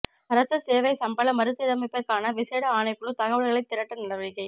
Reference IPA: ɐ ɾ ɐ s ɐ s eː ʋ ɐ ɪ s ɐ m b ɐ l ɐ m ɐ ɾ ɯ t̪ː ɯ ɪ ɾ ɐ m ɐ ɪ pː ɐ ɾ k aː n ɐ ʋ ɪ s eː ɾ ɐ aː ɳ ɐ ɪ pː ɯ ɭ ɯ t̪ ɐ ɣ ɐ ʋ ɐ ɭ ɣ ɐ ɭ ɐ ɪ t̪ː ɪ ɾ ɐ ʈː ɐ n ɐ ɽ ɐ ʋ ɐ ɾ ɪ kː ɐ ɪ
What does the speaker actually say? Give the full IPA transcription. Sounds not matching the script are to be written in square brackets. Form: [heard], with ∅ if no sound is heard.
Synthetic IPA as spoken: ɐ ɾ ɐ s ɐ s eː ʋ ɐ ɪ s ɐ m b ɐ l ɐ m ɐ ɾ ɯ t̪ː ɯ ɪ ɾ ɐ m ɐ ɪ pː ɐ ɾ k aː n ɐ ʋ ɪ s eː [ɽ] ɐ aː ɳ ɐ ɪ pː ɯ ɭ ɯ t̪ ɐ ɣ ɐ ʋ ɐ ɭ ɣ ɐ ɭ ɐ ɪ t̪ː ɪ ɾ ɐ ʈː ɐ n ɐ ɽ ɐ ʋ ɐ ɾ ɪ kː ɐ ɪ

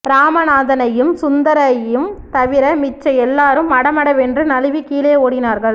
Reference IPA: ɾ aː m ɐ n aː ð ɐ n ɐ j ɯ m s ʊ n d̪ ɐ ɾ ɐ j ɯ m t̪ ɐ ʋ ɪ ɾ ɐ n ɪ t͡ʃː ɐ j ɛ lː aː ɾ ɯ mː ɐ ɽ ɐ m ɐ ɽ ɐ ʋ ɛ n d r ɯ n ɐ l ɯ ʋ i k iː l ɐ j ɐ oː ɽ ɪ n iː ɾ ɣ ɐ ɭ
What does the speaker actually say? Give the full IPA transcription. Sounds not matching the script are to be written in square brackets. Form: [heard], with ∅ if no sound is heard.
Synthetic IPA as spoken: ɾ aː m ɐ n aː ð ɐ n ɐ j ɯ m s ʊ n d̪ ɐ ɾ ɐ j ɯ m t̪ ɐ ʋ ɪ ɾ ɐ [m] ɪ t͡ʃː ɐ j ɛ lː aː ɾ ɯ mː ɐ ɽ ɐ m ɐ ɽ ɐ ʋ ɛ n d r ɯ n ɐ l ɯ ʋ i k iː l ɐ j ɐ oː ɽ ɪ n [aː] ɾ ɣ ɐ ɭ

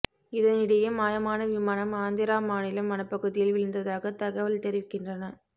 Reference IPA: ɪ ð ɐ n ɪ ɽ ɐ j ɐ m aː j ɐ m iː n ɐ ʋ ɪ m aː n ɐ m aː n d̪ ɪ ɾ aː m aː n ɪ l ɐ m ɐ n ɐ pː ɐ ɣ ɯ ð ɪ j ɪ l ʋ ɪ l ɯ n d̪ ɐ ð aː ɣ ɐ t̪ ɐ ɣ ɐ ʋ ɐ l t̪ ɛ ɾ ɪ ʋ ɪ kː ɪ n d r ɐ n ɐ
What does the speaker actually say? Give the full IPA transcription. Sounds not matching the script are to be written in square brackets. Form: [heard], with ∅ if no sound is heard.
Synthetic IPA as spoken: ɪ ð ɐ n ɪ ɽ ɐ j ɐ m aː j ɐ m [aː] n ɐ ʋ ɪ m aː n ɐ m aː n d̪ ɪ ɾ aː m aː n ɪ l ɐ m ɐ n ɐ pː ɐ ɣ ɯ ð ɪ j ɪ l ʋ ɪ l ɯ n d̪ ɐ ð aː ɣ ɐ t̪ ɐ ɣ ɐ ʋ ɐ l t̪ ɛ ɾ ɪ ʋ ɪ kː ɪ n d r ɐ n ɐ

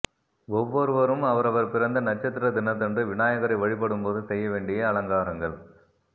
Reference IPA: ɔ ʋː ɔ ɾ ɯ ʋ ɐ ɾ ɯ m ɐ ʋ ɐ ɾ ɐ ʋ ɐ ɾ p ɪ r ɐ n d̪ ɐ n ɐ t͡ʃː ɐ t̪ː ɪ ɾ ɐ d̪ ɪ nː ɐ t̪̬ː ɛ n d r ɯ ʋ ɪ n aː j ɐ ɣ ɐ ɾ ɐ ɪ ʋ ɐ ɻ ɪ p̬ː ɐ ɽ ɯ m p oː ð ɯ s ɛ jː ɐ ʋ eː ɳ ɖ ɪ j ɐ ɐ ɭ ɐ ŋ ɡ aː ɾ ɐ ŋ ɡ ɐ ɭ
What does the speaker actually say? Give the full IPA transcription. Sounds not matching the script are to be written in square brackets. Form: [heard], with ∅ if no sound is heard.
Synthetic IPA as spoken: ɔ ʋː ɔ ɾ ɯ ʋ ɐ ɾ ɯ m ɐ ʋ ɐ ɾ ɐ ʋ ɐ ɾ p ɪ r ɐ n d̪ ɐ n ɐ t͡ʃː ɐ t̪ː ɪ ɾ ɐ d̪ ɪ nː ɐ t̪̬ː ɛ n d r ɯ ʋ ɪ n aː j ɐ ɣ ɐ ɾ ɐ ɪ ʋ ɐ ɻ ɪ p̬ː ɐ ɽ ɯ m p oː ð ɯ s ɛ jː ɐ ʋ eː ɳ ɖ ɪ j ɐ ɐ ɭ ɐ ŋ ɡ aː ɾ ɐ ŋ ɡ ɐ ɭ

